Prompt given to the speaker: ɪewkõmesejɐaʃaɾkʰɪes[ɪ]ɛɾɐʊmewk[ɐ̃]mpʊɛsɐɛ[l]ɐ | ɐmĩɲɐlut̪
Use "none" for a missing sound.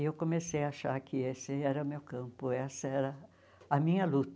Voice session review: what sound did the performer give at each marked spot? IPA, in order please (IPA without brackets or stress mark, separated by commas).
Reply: ɪ, ɐ̃, ɾ